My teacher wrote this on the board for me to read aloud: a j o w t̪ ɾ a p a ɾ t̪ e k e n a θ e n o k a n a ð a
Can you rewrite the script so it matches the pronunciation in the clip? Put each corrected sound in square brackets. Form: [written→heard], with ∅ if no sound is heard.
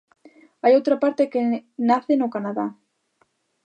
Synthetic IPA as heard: a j o w t̪ ɾ a p a ɾ t̪ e k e n a θ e n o k a n a ð a